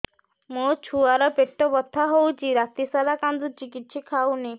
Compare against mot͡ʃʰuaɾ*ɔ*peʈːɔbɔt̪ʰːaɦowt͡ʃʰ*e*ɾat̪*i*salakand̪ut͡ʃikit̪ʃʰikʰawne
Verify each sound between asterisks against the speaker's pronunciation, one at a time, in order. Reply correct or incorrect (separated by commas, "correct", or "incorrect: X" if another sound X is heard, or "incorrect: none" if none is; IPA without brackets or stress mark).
correct, incorrect: i, correct